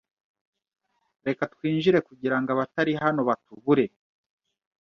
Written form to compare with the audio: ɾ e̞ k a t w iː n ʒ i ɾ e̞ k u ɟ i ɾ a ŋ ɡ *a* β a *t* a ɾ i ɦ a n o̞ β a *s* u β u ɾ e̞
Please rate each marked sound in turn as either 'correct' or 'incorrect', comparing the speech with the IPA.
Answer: correct, correct, incorrect

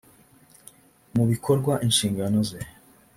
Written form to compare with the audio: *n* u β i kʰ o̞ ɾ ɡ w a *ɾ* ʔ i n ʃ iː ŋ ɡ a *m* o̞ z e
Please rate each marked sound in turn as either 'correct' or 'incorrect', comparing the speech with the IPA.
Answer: incorrect, incorrect, incorrect

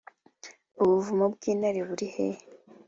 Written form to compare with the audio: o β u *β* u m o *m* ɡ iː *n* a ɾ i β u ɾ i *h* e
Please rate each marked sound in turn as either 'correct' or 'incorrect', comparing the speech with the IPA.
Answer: incorrect, incorrect, correct, correct

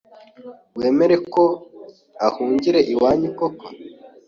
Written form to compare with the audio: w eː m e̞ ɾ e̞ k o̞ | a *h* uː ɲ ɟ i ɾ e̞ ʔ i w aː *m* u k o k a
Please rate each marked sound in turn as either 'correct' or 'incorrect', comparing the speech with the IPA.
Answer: correct, incorrect

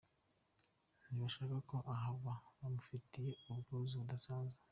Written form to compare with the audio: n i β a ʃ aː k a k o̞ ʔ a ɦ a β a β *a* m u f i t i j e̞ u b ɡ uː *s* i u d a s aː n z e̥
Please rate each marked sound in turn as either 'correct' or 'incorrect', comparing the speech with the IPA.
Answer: correct, incorrect

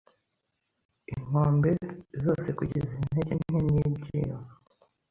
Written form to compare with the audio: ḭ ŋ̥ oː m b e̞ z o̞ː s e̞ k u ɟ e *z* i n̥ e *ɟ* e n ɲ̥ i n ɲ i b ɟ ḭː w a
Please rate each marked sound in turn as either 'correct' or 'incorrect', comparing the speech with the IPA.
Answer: correct, correct

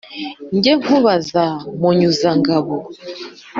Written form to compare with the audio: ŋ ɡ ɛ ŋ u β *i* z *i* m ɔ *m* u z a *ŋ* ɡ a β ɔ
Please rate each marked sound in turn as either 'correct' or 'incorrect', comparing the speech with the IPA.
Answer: incorrect, incorrect, incorrect, correct

